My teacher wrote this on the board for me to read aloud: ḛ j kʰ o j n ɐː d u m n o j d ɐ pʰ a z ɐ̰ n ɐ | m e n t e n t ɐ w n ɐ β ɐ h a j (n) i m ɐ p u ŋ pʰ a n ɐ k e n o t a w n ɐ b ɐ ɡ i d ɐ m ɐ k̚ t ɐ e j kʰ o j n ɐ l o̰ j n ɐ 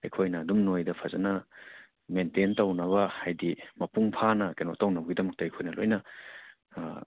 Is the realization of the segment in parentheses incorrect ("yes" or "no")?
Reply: yes